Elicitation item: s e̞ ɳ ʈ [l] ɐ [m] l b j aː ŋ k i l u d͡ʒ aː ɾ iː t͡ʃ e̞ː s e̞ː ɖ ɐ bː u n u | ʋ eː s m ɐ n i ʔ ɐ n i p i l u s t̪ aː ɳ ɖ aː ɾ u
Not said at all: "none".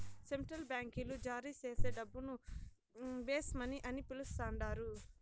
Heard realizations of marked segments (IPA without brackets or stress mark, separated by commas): ɾ, none